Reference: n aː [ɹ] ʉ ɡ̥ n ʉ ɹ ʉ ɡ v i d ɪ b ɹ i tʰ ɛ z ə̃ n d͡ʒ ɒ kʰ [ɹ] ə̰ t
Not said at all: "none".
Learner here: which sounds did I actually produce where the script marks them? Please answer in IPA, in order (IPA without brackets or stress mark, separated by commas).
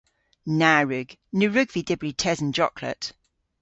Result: ɹ, l